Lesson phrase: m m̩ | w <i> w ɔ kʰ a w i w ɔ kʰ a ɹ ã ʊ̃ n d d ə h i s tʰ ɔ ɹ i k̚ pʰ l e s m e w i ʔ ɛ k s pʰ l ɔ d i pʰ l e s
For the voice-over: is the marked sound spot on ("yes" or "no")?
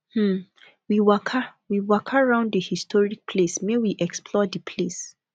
yes